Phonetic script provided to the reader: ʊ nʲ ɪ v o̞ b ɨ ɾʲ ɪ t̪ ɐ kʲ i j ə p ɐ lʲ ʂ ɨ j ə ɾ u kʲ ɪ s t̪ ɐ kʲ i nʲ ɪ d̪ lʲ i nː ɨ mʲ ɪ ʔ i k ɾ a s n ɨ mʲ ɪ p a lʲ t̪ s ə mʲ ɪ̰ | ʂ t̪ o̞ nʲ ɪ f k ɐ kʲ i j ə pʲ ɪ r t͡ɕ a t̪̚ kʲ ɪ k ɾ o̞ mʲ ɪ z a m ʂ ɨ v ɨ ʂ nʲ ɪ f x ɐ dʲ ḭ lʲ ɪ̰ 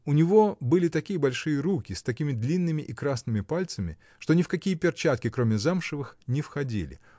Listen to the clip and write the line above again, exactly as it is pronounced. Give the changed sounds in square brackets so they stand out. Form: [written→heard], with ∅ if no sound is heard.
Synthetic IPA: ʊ nʲ ɪ v o̞ b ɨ [ɾʲ→lʲ] ɪ t̪ ɐ kʲ i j ə [p→b] ɐ lʲ ʂ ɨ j ə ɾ u kʲ ɪ s t̪ ɐ kʲ i [nʲ→mʲ] ɪ d̪ lʲ i nː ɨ mʲ ɪ ʔ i k ɾ a s n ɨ mʲ ɪ p a lʲ t̪ s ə mʲ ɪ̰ | ʂ t̪ o̞ nʲ ɪ f k ɐ kʲ i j ə pʲ ɪ r t͡ɕ a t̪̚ kʲ ɪ k ɾ o̞ mʲ ɪ z a m ʂ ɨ v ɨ [ʂ→x] nʲ ɪ f x ɐ dʲ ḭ lʲ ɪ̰